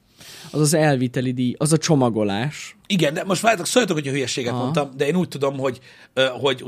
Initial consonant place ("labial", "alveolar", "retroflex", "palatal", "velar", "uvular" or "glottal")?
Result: alveolar